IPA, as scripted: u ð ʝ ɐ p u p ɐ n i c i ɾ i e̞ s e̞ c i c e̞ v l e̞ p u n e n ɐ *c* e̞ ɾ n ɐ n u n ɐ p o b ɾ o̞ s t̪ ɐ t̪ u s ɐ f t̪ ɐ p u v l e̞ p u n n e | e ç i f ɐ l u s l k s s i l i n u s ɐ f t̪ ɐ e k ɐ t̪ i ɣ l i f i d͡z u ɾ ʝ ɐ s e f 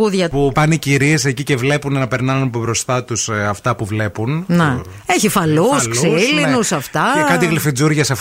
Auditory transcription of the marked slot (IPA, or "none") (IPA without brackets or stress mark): p